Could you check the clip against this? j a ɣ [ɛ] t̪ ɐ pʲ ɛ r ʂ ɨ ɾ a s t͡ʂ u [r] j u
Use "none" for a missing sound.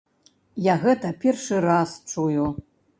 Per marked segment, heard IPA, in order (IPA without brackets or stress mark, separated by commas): ɛ, none